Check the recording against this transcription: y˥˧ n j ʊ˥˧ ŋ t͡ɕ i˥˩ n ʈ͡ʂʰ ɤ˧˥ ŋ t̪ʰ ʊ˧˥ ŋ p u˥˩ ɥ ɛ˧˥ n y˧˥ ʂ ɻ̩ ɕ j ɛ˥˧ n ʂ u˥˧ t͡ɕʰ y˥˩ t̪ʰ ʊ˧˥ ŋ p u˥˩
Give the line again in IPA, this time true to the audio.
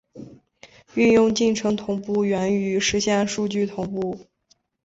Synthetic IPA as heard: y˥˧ n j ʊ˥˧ ŋ t͡ɕ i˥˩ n ʈ͡ʂʰ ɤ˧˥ ŋ t̪ʰ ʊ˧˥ ŋ p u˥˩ ɥ ɛ˧˥ n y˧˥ ʂ ɻ̩ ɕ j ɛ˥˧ n ʂ u˥˧ t͡ɕ y˥˩ t̪ʰ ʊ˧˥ ŋ p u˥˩